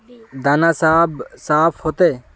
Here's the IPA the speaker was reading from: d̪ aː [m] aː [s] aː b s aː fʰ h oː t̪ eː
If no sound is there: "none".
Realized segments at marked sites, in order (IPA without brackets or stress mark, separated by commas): n, s